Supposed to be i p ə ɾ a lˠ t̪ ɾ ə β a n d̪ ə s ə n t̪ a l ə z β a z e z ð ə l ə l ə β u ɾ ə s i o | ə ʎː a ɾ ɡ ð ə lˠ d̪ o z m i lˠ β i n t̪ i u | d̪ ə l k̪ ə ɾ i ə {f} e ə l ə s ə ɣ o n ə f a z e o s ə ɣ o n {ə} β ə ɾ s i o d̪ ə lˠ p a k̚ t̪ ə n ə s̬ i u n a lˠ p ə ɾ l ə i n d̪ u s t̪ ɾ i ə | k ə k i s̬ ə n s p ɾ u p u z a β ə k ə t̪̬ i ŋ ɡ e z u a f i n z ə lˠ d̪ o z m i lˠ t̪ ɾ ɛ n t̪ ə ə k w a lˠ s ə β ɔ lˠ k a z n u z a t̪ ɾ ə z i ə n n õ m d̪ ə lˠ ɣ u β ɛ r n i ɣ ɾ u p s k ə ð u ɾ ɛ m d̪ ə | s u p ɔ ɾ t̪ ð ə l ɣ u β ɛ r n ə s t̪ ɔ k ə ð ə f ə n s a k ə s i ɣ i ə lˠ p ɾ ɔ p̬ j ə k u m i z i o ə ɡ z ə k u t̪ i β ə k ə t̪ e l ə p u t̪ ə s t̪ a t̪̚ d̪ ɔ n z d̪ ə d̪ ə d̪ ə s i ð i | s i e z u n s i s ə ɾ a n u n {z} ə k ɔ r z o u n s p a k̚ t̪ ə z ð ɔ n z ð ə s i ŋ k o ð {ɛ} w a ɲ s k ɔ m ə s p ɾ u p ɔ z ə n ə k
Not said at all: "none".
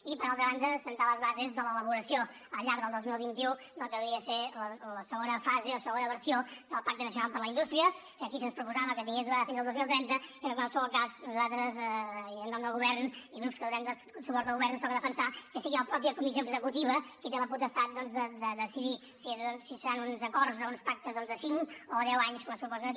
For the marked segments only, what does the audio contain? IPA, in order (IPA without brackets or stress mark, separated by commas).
s, ə, z, ɛ